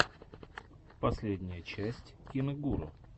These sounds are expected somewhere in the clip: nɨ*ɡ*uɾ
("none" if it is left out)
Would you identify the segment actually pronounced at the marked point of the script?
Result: ɡ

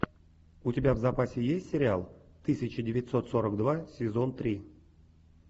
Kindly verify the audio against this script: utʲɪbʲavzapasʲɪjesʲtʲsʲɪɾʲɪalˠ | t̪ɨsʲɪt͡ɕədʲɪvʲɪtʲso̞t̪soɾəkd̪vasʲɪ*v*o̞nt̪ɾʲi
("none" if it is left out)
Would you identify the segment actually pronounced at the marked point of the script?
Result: z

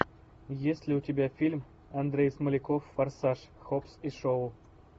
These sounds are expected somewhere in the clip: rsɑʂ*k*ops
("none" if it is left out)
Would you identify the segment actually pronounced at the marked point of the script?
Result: x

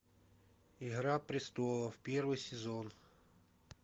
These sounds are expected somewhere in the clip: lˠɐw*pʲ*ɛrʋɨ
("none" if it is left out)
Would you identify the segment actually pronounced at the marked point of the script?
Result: pʲ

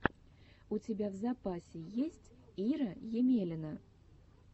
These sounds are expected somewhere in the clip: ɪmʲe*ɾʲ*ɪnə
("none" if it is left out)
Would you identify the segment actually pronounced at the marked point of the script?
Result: lʲ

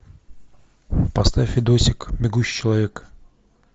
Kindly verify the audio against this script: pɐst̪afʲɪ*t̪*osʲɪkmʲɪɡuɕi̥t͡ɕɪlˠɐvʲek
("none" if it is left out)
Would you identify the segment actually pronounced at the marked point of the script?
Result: d̪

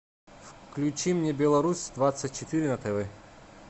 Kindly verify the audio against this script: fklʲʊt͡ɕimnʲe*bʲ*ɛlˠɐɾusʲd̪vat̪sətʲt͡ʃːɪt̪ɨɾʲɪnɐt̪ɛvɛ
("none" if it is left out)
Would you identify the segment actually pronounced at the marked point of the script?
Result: bʲ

